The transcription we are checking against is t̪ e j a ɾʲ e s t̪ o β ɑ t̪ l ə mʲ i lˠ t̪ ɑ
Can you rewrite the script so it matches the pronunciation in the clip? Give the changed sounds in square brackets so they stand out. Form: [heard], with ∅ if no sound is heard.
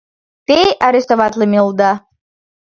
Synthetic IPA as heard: t̪ e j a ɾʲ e s t̪ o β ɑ t̪ l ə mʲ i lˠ [d̪] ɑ